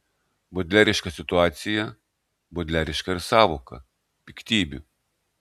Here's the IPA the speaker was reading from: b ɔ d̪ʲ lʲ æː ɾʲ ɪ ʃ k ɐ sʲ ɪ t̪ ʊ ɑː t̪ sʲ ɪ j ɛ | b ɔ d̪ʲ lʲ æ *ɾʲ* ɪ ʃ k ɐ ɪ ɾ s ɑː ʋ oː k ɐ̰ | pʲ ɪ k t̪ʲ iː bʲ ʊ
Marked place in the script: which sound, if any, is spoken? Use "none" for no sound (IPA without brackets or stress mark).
ɾʲ